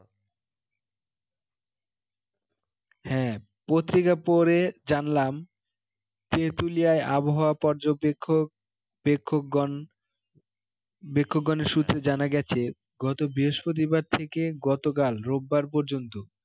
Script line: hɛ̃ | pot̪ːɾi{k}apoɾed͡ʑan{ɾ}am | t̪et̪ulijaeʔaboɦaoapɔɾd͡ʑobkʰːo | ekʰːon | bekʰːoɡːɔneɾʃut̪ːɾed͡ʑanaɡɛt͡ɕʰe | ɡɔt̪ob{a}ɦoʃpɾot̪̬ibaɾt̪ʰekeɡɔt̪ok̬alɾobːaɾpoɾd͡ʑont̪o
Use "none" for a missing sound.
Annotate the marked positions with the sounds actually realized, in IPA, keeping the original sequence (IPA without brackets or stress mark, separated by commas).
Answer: k, l, i